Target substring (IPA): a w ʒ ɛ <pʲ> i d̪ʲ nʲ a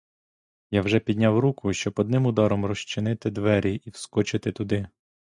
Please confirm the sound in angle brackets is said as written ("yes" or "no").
yes